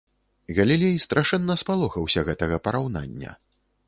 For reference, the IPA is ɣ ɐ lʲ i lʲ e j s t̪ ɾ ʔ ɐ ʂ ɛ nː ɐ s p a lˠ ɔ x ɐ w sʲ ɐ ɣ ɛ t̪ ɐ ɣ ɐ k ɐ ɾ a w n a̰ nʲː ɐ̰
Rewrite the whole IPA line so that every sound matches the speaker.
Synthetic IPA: ɣ ɐ lʲ i lʲ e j s t̪ ɾ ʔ a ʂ ɛ nː ɐ s p a lˠ ɔ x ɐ w sʲ ɐ ɣ ɛ t̪ ɐ ɣ ɐ p ɐ ɾ a w n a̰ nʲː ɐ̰